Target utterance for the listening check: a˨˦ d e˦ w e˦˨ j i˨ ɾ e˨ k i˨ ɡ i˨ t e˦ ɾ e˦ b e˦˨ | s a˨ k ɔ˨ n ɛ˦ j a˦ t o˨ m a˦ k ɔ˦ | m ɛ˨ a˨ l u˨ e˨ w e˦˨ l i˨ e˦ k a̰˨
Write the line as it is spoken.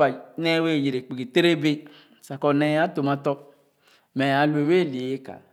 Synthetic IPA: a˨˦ n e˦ w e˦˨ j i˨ ɾ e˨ k͡p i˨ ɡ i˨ t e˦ ɾ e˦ b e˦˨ | s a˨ k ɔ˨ n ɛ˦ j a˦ t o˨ m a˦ t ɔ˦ | m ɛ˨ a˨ l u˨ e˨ w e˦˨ l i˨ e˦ k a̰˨